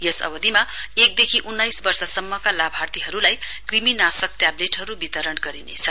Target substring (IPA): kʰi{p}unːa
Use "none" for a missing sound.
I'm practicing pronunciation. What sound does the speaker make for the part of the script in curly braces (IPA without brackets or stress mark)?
ʔ